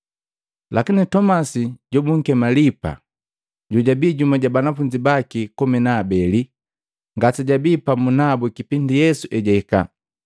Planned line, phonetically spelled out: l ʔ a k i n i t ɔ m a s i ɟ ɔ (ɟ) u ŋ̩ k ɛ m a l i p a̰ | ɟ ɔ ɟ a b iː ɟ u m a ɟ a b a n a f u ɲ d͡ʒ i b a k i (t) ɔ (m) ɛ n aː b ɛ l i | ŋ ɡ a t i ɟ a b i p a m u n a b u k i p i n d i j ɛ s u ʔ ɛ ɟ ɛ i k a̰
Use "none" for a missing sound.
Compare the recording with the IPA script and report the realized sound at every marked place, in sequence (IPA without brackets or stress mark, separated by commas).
b, k, m